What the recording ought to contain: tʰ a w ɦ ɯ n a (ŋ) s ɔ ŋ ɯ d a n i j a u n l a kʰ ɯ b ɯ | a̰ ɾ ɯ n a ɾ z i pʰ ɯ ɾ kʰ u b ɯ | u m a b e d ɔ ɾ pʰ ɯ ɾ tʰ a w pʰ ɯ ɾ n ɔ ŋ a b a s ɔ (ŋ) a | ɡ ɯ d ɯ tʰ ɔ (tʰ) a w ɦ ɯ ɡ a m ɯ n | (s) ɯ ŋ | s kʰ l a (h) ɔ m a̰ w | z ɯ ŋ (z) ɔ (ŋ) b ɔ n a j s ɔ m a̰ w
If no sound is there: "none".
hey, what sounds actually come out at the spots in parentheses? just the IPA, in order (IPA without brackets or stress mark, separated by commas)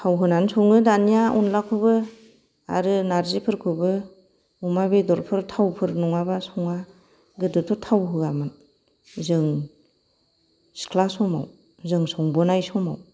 n, ŋ, tʰ, z, s, s, ŋ